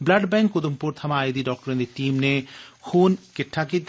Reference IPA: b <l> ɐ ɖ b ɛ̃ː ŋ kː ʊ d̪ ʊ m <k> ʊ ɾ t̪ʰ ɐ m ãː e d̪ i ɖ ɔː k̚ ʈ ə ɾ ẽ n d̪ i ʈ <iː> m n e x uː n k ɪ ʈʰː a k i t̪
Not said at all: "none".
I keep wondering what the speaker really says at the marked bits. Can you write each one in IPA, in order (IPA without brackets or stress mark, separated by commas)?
l, p, iː